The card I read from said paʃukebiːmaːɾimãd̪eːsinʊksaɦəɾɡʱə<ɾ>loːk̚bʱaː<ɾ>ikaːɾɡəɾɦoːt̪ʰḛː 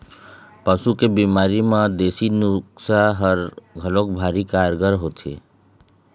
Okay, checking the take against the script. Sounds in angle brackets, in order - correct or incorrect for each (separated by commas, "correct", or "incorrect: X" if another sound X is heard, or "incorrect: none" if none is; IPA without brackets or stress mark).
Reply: incorrect: none, correct